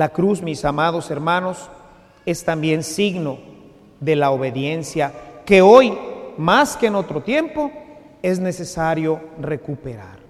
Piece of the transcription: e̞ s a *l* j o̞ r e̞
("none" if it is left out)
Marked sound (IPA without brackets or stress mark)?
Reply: ɾ